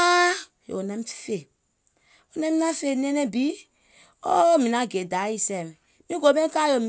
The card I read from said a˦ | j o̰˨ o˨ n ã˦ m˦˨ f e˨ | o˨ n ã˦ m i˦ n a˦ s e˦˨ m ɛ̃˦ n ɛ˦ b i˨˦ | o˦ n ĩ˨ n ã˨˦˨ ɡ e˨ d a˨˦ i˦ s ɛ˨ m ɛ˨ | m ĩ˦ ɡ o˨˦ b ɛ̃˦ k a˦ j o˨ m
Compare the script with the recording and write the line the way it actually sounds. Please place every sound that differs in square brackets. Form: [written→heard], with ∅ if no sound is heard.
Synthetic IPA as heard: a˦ | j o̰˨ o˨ n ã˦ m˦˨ f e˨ | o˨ n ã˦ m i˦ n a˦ [s→f] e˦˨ [m→n] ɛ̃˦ n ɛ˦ b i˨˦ | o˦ [n→m] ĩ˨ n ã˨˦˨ ɡ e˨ d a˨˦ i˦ s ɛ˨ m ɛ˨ | m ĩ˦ ɡ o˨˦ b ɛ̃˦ k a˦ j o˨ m

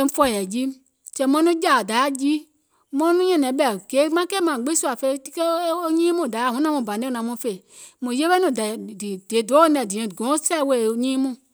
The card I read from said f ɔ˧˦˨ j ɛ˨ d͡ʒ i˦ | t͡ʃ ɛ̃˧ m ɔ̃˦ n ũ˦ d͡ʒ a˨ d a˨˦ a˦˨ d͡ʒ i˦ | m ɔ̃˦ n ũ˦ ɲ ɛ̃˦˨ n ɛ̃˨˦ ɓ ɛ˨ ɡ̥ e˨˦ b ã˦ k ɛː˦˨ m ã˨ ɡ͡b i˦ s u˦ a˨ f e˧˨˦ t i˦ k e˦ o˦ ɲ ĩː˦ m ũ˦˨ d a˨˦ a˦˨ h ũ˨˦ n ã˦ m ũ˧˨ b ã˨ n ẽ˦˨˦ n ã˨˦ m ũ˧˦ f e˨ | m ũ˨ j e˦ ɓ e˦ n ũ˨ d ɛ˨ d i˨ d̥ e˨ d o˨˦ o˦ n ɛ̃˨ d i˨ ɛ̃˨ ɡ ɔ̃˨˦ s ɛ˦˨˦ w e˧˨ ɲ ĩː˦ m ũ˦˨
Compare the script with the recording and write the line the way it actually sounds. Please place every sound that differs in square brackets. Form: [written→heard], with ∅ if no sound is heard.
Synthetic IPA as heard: f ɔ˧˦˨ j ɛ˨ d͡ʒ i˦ | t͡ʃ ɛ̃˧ m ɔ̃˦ n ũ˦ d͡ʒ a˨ d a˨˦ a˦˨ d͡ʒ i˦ | m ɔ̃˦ n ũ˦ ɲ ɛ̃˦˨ n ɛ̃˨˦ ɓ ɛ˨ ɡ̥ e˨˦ [b→m] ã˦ k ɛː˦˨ m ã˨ ɡ͡b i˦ s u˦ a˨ f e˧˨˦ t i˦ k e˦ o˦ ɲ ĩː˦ m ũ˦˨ d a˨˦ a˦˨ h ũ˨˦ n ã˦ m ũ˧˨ b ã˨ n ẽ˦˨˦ n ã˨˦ m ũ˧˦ f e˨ | m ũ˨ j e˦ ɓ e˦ n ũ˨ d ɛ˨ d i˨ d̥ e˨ d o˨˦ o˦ n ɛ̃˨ d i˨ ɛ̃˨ ɡ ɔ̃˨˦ s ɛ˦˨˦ w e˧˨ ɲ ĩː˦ m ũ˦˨

